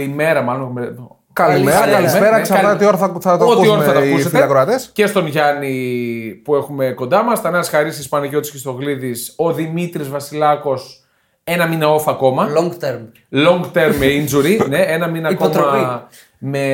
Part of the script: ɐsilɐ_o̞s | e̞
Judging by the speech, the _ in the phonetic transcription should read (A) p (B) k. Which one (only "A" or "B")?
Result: B